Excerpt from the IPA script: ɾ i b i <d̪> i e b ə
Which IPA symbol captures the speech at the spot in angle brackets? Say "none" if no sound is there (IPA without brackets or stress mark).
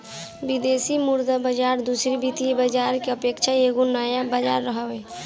t̪